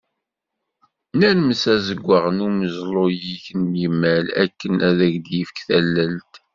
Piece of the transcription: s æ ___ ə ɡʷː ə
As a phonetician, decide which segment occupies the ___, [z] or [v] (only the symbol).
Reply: z